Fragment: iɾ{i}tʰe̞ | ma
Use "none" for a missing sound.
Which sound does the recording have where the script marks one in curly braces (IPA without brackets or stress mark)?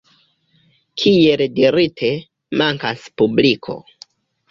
i